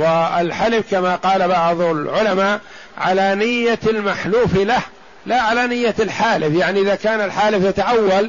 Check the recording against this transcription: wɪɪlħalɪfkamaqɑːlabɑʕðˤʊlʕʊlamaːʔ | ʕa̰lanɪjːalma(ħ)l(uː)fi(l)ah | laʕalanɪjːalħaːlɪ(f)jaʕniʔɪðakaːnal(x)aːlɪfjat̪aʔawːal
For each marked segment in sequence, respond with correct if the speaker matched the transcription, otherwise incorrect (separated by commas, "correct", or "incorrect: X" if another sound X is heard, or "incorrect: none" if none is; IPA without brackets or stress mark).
correct, correct, correct, correct, incorrect: ħ